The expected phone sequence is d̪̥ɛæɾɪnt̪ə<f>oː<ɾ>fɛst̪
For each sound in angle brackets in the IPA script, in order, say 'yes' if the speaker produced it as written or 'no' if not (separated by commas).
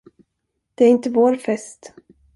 no, yes